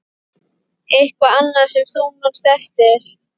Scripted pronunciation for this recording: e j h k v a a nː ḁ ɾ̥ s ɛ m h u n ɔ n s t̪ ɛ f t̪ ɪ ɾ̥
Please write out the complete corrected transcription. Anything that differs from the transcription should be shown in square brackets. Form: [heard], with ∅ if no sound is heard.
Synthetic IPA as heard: e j h k v a a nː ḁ [∅] s ɛ m [θ] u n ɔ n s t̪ ɛ f t̪ ɪ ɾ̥